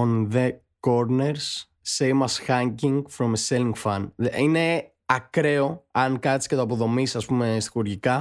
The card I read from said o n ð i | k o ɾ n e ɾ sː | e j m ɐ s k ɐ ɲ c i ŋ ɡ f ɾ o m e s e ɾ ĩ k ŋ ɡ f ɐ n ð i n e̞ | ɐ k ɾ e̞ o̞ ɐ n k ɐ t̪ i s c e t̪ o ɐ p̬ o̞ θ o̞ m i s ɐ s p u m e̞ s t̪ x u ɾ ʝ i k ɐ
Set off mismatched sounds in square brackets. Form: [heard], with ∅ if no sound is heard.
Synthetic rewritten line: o n ð [e] | k o ɾ n e ɾ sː | e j m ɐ s [x] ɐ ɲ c i ŋ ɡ f ɾ o m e s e [l] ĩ [∅] ŋ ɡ f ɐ n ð i n e̞ | ɐ k ɾ e̞ o̞ ɐ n k ɐ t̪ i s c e t̪ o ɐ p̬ o̞ [ð] o̞ m i s ɐ s p u m e̞ s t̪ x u ɾ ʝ i k ɐ